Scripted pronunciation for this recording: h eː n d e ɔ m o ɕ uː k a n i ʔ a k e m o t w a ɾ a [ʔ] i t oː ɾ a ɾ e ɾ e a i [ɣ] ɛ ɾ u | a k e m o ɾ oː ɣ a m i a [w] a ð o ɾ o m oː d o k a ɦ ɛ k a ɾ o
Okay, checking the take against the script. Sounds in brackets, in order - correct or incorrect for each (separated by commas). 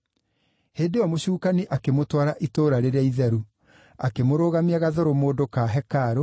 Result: correct, incorrect, incorrect